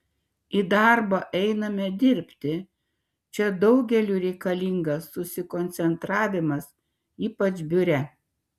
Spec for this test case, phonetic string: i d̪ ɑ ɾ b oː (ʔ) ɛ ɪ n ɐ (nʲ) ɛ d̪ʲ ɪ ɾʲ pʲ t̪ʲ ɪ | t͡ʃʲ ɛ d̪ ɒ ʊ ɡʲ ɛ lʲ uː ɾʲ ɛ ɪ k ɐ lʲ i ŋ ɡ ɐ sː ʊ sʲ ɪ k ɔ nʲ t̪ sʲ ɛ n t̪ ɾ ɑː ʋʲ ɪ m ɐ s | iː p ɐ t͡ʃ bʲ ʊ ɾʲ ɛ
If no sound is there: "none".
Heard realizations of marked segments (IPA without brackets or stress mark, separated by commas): ʔ, mʲ